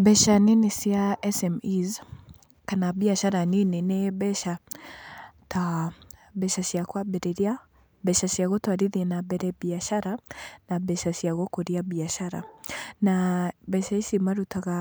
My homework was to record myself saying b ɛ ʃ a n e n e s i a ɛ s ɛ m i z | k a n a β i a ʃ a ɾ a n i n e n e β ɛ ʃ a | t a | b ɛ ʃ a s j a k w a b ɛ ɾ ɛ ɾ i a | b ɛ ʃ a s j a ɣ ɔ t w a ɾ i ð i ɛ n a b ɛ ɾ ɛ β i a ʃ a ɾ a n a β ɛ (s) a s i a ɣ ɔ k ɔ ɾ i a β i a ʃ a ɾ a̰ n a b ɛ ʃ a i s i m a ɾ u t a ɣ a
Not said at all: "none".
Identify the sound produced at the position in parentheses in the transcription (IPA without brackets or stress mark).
ʃ